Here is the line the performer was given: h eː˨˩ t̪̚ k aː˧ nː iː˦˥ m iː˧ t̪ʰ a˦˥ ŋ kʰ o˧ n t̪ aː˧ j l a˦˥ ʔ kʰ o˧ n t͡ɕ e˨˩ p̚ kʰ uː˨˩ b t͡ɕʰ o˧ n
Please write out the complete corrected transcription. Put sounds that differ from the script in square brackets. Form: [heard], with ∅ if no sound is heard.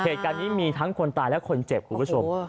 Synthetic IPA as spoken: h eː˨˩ t̪̚ k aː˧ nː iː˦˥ m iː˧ t̪ʰ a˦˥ ŋ kʰ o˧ n t̪ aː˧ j l [ɛ˦˥] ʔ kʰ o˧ n t͡ɕ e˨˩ p̚ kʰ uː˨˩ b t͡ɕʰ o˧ [m]